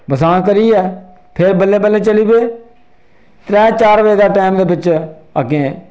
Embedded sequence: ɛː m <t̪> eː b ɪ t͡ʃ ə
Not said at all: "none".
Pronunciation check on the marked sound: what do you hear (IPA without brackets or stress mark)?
d̪